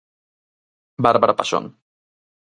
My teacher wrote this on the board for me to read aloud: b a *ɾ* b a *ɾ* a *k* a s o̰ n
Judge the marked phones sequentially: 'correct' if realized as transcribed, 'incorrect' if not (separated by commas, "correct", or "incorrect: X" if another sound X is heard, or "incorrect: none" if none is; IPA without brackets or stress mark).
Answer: correct, correct, incorrect: p